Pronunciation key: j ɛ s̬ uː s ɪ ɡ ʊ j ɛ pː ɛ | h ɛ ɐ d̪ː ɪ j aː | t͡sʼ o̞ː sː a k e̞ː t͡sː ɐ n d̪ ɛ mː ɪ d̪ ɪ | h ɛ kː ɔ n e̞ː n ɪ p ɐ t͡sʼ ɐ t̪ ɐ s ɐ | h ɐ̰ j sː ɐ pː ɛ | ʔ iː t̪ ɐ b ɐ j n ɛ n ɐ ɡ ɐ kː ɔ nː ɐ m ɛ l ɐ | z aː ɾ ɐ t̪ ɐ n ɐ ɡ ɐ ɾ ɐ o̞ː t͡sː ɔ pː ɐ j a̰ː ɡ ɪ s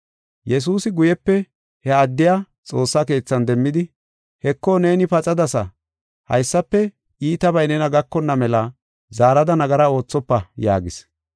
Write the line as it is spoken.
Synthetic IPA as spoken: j ɛ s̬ uː s ɪ ɡ ʊ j ɛ pː ɛ | h ɛ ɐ d̪ː ɪ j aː | t͡sʼ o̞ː sː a k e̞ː t͡sː ɐ n d̪ ɛ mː ɪ d̪ ɪ | h ɛ kː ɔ n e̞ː n ɪ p ɐ t͡sʼ ɐ d̪ ɐ s ɐ | h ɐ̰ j sː ɐ pː ɛ | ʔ iː t̪ ɐ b ɐ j n ɛ n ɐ ɡ ɐ kː ɔ nː ɐ m ɛ l ɐ | z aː ɾ ɐ d̪ ɐ n ɐ ɡ ɐ ɾ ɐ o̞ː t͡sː ɔ pː ɐ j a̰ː ɡ ɪ s